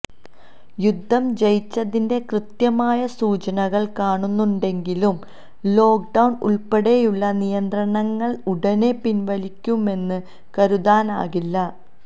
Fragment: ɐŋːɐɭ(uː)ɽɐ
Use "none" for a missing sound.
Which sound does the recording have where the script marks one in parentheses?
u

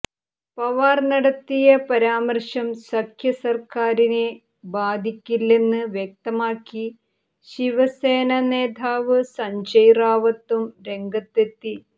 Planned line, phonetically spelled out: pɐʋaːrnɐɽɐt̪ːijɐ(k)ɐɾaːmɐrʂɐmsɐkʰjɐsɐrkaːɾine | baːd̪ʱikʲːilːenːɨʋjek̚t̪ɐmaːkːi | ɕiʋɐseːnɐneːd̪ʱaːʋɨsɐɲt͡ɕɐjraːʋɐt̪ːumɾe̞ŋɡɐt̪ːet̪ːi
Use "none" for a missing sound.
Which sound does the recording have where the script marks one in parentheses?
p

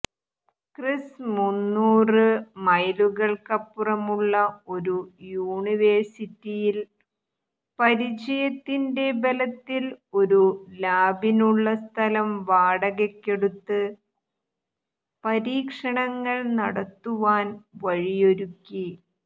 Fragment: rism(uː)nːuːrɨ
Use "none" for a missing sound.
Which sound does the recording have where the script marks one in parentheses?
u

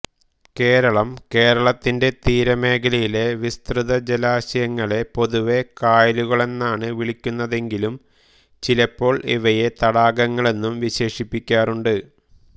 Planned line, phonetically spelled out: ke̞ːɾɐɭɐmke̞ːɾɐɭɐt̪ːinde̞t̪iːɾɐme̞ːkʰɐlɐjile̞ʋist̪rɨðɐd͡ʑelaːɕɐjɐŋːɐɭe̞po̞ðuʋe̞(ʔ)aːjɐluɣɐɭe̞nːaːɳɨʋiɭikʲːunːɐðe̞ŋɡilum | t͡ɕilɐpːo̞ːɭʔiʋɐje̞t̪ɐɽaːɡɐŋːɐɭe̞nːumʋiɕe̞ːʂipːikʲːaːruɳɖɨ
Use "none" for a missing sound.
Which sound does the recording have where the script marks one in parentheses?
k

